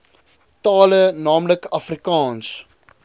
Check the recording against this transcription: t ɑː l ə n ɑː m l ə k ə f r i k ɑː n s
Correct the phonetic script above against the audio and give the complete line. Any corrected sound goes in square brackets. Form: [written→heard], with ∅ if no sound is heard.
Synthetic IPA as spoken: t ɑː l ə n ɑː m l ə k [ə→ɐ] f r i k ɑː n s